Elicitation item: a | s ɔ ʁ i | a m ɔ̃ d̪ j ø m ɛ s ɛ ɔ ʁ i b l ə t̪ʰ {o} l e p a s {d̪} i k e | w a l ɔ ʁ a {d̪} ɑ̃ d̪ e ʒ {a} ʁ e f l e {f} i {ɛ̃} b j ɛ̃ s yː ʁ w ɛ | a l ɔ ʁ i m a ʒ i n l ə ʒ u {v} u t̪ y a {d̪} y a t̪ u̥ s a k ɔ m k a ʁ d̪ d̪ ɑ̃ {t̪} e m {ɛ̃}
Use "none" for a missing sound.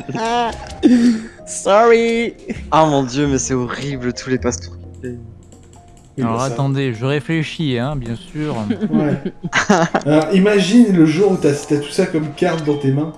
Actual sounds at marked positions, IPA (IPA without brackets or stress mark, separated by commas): u, t̪, t̪, ə, ʃ, ɛ̃, ʁ, t̪, t̪, ɛ̃